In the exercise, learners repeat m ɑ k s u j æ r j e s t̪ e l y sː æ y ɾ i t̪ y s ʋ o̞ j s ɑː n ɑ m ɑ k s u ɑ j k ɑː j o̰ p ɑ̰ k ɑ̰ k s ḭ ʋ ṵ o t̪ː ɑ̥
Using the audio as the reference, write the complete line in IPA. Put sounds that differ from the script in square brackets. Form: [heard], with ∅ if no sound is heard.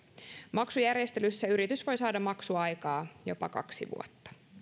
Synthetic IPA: m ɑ k s u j æ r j e s t̪ e l y sː æ y ɾ i t̪ y s ʋ o̞ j s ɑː [d] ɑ m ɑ k s u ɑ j k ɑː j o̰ p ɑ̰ k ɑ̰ k s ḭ ʋ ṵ o t̪ː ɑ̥

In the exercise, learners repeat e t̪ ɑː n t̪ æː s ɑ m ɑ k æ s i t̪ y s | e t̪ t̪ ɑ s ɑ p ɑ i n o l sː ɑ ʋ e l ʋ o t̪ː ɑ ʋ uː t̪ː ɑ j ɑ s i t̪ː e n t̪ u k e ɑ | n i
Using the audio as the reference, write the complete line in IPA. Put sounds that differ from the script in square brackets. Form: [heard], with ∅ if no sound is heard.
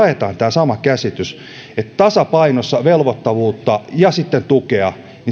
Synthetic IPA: e t̪ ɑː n t̪ æː s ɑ m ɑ k æ s i t̪ y s | e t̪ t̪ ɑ s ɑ p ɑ i n o [∅] sː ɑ ʋ e l ʋ o t̪ː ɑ ʋ uː t̪ː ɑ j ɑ s i t̪ː e n t̪ u k e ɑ | n i

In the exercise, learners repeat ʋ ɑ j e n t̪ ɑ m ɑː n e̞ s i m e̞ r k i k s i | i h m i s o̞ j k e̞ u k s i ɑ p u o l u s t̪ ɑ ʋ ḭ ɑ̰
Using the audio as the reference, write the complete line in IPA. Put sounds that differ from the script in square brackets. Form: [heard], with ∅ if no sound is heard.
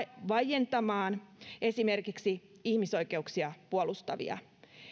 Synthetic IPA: ʋ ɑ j e n t̪ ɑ m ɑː n e̞ s i m e̞ r k i k s i | i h m i s o̞ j k e̞ u k s i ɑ p u o l u s t̪ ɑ ʋ ḭ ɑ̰

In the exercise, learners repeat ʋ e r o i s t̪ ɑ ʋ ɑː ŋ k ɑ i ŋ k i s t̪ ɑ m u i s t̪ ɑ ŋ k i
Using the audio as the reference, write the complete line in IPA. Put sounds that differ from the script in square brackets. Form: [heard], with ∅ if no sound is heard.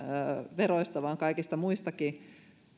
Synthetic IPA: ʋ e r o i s t̪ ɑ ʋ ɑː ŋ k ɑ i [∅] k i s t̪ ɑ m u i s t̪ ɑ [∅] k i

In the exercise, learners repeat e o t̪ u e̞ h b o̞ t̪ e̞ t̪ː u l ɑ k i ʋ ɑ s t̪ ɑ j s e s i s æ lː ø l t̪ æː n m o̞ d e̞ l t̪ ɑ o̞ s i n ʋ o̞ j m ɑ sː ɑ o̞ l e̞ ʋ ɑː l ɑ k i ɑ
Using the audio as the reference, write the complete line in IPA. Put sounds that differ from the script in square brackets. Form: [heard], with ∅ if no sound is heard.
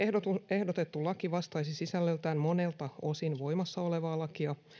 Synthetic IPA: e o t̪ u e̞ h [d] o̞ t̪ e̞ t̪ː u l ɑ k i ʋ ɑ s t̪ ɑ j s [i] s i s æ lː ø l t̪ æː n m o̞ [n] e̞ l t̪ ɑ o̞ s i n ʋ o̞ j m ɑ sː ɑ o̞ l e̞ ʋ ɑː l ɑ k i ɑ

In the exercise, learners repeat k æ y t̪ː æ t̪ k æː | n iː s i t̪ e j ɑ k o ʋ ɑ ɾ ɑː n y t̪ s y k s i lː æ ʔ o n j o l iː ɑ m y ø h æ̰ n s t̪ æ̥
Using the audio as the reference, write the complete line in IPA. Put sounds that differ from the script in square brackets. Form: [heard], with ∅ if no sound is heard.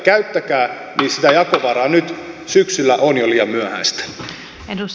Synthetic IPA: k æ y t̪ː æ [∅] k æː | n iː s i t̪ [æ] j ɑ k o ʋ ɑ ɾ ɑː n y t̪ s y k s [y] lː æ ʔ o n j o l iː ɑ m y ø h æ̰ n s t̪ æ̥

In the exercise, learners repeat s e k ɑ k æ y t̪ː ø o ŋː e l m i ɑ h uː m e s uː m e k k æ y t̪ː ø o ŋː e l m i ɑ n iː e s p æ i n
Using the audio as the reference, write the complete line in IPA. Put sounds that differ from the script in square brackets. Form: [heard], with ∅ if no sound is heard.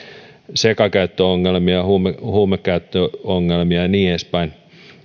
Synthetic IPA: s e k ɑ k æ y t̪ː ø o ŋː e l m i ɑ h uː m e [h] uː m e k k æ y t̪ː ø o ŋː e l m i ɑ n iː e s p æ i n

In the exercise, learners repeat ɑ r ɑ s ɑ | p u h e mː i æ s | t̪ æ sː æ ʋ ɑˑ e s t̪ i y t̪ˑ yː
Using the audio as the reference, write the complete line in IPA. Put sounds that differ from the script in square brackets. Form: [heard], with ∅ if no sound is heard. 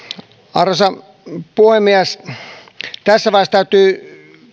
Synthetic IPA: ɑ r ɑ s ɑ | p u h e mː i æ s | t̪ æ sː æ ʋ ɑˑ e s t̪ [æ] y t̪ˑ yː

